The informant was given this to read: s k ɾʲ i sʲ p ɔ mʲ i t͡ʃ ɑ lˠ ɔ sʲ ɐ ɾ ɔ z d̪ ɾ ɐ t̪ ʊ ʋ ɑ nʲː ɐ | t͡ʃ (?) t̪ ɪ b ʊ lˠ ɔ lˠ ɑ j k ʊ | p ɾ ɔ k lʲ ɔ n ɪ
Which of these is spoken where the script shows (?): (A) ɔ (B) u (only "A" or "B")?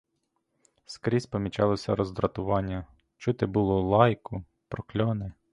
B